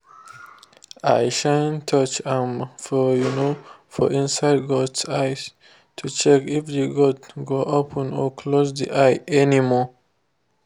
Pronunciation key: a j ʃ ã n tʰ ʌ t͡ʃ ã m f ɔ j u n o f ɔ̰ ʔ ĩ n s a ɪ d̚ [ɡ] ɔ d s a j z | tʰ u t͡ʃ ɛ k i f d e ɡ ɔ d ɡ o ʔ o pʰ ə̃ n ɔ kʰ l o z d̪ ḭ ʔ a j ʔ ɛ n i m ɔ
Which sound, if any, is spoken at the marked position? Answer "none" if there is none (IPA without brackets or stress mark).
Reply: ɡ